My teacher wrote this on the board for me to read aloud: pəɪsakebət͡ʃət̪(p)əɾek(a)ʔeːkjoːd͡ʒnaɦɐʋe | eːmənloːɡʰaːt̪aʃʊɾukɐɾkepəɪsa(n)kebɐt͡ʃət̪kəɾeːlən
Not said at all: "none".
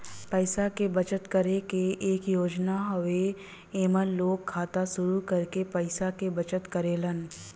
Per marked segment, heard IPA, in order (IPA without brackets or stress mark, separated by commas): k, e, none